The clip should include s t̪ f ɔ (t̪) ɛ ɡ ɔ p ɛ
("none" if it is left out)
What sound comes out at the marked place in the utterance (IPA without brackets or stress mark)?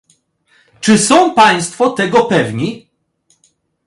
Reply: t̪